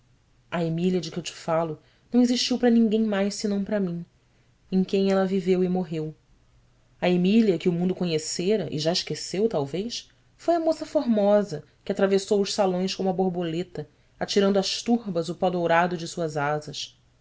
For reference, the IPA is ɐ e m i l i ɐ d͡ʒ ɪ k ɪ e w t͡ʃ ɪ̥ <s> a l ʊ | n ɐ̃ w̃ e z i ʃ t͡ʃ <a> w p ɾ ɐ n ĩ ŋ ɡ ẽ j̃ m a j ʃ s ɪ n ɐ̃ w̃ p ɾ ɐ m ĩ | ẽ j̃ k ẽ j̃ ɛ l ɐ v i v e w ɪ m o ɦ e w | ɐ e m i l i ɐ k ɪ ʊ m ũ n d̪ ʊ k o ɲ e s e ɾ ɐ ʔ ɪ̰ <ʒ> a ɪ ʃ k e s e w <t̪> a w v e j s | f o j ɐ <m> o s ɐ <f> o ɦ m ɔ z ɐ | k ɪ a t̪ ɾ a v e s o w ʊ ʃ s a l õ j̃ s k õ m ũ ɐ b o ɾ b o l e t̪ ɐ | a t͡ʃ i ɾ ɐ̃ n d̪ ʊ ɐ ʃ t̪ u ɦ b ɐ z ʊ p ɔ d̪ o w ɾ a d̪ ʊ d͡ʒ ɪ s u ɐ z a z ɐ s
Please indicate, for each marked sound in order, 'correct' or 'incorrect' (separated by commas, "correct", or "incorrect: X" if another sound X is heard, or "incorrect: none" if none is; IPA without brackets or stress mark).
incorrect: f, incorrect: i, correct, correct, correct, correct